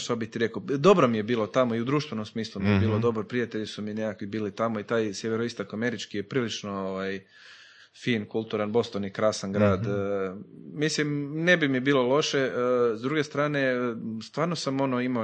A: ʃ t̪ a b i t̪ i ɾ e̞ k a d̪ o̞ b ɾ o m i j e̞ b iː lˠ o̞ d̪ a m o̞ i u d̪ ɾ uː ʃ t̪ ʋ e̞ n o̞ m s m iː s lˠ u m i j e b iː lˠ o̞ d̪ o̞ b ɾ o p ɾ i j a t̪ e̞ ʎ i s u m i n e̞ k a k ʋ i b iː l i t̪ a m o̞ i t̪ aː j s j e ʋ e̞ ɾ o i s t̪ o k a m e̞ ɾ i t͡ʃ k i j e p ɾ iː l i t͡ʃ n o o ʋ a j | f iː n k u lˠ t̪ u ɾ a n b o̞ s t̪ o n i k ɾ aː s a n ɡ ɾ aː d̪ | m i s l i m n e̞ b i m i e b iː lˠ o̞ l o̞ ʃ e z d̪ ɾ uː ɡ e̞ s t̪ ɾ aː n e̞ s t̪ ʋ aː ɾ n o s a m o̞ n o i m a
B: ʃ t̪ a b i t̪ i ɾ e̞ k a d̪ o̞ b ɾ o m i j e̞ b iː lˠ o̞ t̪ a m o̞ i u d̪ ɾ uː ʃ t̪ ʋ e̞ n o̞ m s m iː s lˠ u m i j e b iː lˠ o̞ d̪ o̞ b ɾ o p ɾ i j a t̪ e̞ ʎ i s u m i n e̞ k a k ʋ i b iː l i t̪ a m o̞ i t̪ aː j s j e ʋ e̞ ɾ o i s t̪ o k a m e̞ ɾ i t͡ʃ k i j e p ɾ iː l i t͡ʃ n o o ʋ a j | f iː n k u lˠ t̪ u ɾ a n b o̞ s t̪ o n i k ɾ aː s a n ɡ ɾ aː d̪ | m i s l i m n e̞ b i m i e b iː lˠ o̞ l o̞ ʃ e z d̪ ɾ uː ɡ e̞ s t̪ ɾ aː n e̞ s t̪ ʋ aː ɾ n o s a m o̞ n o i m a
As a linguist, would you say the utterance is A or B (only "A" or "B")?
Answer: B